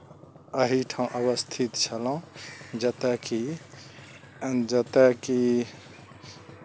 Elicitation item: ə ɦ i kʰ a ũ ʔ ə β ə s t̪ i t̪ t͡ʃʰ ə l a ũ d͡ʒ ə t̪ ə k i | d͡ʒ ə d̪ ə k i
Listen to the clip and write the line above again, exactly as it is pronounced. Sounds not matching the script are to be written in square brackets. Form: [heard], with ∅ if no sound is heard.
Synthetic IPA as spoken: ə ɦ i [ʈʰ] a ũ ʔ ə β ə s [t̪ʰ] i t̪ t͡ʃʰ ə l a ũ d͡ʒ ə t̪ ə k i | d͡ʒ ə [t̪] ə k i